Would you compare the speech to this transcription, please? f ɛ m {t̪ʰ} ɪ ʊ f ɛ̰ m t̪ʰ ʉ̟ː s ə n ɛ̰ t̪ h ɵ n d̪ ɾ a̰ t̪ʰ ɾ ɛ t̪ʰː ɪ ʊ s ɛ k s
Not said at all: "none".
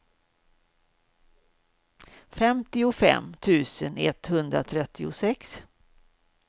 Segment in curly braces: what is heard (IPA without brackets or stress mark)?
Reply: t̪